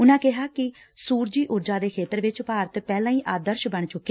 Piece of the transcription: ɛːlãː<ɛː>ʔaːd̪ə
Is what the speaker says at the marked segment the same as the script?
no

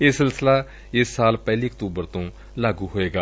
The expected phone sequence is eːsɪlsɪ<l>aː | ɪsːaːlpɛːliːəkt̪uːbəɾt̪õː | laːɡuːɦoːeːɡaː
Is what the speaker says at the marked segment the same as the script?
yes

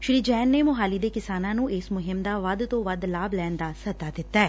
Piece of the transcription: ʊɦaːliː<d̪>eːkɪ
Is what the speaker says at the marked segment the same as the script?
yes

